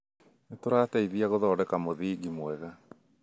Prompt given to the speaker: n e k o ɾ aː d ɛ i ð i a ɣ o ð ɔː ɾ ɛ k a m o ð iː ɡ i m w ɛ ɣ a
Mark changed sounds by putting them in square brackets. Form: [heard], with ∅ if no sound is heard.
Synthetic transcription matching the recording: n e [t] o ɾ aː [t] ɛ i ð i a ɣ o ð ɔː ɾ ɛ k a m o ð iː ɡ i m w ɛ ɣ a

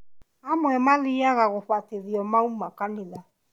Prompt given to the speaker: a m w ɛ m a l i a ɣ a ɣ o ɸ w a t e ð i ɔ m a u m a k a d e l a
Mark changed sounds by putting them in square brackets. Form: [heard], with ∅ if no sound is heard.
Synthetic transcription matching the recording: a m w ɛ m a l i a ɣ a ɣ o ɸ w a t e ð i ɔ m a u m a k a [n] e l a

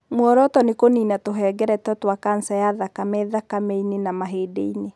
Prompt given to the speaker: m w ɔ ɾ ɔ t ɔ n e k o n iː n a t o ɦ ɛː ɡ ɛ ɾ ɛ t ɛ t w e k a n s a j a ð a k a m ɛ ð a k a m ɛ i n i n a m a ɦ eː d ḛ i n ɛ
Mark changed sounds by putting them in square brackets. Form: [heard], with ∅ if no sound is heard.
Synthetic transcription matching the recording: m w ɔ ɾ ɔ t ɔ n e k o n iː n a t o ɦ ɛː ɡ ɛ ɾ ɛ t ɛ t w [a] k a n s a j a ð a k a m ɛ ð a k a m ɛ i n [e] n a m a ɦ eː d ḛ i n [e]

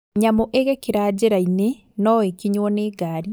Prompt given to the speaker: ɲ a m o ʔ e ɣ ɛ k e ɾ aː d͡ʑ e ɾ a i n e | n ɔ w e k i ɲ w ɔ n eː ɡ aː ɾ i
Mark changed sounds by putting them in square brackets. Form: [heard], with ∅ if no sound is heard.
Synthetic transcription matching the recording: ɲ a m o ʔ e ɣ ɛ k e ɾ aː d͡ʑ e ɾ a i n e | n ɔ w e k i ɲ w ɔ n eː ɡ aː ɾ i

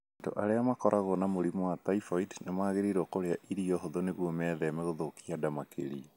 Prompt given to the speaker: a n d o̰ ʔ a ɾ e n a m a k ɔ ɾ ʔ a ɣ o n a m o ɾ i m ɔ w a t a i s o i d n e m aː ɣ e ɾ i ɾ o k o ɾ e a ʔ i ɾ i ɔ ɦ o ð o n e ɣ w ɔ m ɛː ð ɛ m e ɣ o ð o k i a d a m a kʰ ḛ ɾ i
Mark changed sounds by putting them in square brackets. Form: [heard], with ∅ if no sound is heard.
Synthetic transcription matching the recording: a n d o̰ ʔ a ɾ e [∅] a m a k ɔ ɾ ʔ a ɣ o n a m o ɾ i m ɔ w a t a i [f] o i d n e m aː ɣ e ɾ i ɾ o k o ɾ e a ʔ i ɾ i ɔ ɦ o ð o n e ɣ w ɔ m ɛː ð ɛ m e ɣ o ð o k i a d a m a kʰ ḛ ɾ i

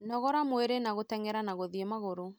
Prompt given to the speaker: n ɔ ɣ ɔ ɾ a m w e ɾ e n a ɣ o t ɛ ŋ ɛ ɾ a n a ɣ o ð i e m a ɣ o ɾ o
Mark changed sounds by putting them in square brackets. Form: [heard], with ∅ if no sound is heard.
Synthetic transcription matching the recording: n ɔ ɣ ɔ ɾ a m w e ɾ e n a ɣ o t ɛ ŋ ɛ ɾ a n a ɣ o ð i e m a ɣ o ɾ o

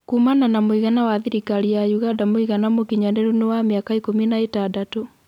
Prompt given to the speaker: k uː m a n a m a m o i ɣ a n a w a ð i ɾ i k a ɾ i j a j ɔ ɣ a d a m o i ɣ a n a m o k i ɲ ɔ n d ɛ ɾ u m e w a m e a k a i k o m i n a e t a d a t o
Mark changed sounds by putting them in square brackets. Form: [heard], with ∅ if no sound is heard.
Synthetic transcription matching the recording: k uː m a n a [n] a m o i ɣ a n a w a ð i ɾ i k a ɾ i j a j [u] ɣ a d a m o i ɣ a n a m o k i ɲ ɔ n d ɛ ɾ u [n] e w a m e a k a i k o m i n a e t a d a t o

